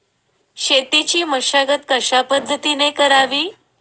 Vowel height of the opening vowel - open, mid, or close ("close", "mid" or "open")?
mid